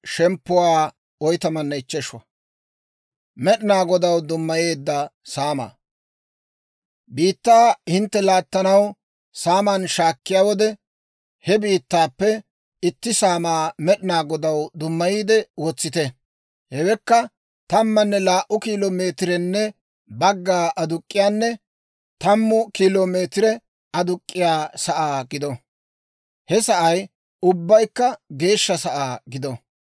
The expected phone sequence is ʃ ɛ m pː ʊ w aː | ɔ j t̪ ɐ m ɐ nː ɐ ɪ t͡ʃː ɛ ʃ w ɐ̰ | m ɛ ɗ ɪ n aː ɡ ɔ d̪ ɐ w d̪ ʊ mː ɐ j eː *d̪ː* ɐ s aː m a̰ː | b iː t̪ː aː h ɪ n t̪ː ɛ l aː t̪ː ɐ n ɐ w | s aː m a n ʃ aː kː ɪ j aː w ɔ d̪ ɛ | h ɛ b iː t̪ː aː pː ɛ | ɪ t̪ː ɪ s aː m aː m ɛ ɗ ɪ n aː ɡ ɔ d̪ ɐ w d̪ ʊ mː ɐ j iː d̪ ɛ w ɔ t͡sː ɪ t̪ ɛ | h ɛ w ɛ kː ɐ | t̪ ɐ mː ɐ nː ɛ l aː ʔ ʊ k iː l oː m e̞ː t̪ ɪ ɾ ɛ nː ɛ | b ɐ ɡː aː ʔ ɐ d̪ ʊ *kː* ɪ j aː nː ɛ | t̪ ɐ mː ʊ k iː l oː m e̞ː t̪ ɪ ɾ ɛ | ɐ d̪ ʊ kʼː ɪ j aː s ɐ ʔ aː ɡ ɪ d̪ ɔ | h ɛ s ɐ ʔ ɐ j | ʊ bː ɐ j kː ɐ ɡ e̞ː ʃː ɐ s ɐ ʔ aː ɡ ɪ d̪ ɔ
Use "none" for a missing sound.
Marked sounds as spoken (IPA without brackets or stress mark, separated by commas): d̪ː, kʼː